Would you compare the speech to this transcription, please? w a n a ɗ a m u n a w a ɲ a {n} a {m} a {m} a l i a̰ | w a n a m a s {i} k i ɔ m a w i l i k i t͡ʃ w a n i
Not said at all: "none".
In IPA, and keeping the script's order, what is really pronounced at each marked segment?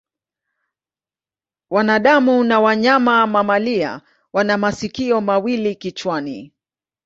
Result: m, m, m, i

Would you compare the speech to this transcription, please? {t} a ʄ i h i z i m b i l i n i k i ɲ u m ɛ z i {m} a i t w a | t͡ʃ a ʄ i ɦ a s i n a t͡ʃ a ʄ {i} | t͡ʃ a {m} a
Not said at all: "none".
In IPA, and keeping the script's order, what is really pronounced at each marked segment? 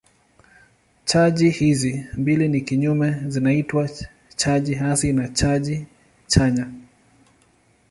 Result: t͡ʃ, n, i, ɲ

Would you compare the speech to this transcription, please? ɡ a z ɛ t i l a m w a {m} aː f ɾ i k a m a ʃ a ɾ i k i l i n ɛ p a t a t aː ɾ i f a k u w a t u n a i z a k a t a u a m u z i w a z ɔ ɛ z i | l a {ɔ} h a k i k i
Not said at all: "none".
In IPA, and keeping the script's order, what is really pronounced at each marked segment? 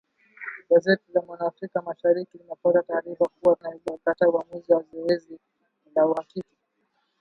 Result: n, u

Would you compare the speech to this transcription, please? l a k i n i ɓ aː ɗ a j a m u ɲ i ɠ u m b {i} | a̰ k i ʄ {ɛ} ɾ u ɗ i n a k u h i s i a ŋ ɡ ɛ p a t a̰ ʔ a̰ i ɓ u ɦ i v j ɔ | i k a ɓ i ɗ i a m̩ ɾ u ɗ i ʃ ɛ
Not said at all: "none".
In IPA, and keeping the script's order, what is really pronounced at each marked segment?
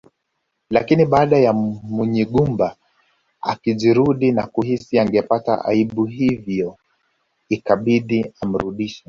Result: a, i

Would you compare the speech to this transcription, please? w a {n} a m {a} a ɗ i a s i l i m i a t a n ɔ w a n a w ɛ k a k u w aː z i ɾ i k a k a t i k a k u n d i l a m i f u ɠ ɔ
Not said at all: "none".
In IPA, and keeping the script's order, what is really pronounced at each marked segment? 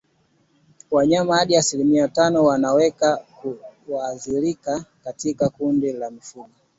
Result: ɲ, a

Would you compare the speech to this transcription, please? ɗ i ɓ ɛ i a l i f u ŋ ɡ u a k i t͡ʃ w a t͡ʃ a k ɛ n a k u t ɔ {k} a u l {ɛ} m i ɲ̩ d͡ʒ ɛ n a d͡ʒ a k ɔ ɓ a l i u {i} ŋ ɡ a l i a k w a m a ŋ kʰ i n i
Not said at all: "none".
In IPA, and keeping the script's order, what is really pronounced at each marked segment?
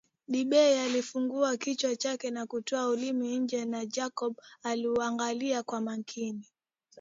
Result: none, i, a

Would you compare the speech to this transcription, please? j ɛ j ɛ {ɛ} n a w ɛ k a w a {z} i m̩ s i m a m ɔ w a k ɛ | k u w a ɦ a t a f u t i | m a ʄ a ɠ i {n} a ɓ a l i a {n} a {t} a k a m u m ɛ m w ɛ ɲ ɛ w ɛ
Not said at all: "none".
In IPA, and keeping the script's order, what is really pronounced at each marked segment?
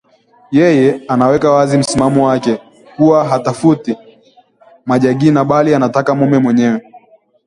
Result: a, z, n, n, t

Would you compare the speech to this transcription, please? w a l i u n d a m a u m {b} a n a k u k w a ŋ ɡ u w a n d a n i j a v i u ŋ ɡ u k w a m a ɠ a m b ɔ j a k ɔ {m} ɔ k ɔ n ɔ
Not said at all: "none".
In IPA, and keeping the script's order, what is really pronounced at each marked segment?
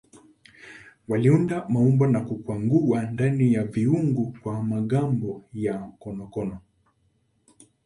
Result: b, n

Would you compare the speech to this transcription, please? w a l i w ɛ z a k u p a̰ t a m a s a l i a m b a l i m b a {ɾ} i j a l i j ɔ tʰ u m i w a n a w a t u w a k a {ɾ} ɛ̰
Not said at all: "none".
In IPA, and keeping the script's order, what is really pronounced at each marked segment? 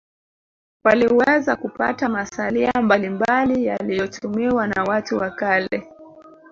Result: l, l

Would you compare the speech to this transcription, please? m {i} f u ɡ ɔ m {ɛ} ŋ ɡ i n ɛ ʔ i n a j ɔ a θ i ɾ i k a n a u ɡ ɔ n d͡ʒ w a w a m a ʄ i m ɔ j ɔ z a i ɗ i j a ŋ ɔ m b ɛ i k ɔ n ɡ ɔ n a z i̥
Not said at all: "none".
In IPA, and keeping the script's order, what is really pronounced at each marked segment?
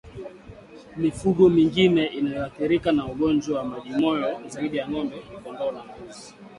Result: i, i

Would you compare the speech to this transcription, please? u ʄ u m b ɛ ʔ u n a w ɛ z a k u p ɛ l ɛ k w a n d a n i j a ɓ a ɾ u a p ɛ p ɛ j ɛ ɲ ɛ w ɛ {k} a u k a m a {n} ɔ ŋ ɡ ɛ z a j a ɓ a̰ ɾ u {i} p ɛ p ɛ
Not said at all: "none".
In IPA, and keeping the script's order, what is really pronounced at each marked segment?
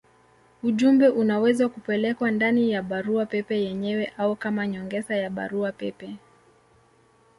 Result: ʔ, ɲ, a

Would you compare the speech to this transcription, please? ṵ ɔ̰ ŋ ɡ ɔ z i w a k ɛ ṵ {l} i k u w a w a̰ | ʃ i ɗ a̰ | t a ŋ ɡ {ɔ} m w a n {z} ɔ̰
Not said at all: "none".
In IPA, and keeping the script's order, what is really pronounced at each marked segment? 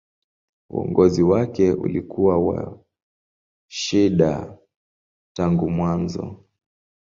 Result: l, u, z

